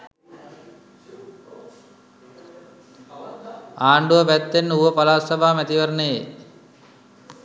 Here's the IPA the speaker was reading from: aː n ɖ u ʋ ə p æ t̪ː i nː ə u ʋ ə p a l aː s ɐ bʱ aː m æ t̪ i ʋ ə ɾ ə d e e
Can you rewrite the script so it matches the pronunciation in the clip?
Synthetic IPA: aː ɳ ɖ u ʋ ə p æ t̪ː e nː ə u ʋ ə p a l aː s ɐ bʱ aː m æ t̪ i ʋ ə ɾ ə n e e